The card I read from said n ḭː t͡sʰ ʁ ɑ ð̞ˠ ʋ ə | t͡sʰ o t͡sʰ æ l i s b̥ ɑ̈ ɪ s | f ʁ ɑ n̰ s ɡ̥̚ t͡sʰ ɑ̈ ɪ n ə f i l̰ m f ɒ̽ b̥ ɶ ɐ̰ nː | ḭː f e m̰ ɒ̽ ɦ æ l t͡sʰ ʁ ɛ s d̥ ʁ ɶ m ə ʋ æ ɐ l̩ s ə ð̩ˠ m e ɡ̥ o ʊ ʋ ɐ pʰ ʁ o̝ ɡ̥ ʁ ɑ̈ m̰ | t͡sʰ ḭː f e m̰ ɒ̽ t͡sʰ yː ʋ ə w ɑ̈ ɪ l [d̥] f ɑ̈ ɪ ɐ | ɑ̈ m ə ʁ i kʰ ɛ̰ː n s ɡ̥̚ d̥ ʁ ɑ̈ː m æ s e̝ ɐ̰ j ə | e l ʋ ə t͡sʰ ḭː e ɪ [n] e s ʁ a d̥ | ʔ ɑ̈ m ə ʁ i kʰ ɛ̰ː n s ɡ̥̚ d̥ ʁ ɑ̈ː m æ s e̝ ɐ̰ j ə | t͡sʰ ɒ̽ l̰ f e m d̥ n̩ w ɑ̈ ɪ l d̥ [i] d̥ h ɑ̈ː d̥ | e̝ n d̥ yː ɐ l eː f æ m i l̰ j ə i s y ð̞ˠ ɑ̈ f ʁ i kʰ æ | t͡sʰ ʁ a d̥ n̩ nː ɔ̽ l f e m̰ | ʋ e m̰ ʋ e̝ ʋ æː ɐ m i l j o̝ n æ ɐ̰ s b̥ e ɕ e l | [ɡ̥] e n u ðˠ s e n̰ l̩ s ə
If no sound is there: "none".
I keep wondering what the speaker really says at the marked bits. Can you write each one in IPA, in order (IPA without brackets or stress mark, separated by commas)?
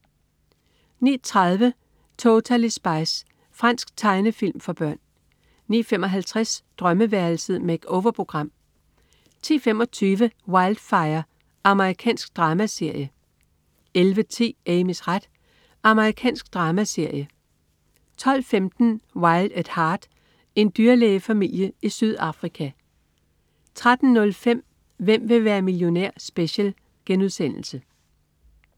d̥, m, æ, ɡ̥